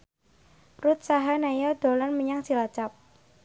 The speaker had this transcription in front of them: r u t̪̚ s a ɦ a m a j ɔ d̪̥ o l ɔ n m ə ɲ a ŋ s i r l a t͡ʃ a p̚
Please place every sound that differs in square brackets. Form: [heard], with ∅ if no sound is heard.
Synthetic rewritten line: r u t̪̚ s a ɦ a [n] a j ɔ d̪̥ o l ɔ n m ə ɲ a ŋ s i [∅] l a t͡ʃ a p̚